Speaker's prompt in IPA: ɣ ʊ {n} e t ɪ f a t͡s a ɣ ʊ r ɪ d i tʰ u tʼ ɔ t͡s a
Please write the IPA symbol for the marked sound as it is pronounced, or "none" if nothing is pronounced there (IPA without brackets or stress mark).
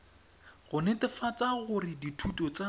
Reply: n